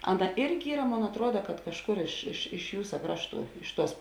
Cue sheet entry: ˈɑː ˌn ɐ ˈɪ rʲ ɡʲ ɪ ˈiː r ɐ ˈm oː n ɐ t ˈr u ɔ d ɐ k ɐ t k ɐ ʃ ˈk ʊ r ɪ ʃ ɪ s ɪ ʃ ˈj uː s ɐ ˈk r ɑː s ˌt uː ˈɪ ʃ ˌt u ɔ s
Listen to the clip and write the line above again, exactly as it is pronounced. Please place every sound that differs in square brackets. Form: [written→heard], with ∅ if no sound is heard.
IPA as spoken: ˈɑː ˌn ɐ ˈɪ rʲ ɡʲ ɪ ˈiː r ɐ ˈm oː n ɐ t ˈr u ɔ d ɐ k ɐ t k ɐ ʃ ˈk ʊ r ɪ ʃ ɪ [s→ʃ] ɪ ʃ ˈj uː s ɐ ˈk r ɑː [s→ʃ] ˌt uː ˈɪ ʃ ˌt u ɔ s